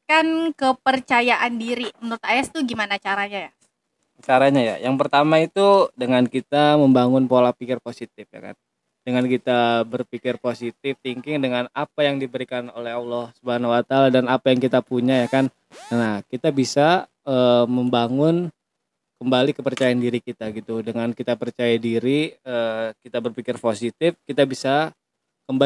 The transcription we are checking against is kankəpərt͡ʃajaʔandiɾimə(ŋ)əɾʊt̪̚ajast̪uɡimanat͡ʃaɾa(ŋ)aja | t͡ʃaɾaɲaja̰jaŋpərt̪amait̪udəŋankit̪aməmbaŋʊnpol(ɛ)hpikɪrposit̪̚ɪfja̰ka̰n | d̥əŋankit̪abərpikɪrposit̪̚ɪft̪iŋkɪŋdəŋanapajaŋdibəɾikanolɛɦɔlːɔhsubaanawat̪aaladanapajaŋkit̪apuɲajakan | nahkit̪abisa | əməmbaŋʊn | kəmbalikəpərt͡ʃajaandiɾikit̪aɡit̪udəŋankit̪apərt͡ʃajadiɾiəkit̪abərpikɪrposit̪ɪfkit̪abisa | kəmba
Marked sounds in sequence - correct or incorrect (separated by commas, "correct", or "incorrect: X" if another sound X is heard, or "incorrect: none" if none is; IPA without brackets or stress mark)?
incorrect: n, incorrect: ɲ, incorrect: a